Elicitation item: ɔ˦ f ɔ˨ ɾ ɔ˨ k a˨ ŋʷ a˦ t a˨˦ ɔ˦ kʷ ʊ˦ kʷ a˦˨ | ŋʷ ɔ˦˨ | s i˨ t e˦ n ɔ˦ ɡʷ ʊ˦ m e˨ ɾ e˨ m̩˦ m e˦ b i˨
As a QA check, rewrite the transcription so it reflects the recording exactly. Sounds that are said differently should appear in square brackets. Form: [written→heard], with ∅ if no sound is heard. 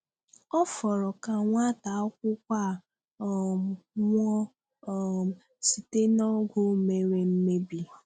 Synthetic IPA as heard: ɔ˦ f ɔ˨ ɾ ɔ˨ k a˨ ŋʷ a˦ t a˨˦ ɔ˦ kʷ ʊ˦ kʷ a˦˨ | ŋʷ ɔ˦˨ | s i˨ t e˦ n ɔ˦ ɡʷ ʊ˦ m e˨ ɾ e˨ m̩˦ m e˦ b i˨